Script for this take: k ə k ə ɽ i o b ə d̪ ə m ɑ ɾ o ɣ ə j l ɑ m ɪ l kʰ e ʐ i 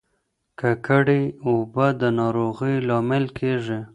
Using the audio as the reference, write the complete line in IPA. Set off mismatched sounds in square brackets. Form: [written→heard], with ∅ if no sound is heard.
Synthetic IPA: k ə k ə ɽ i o b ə d̪ ə [m→n] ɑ ɾ o ɣ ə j l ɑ m ɪ l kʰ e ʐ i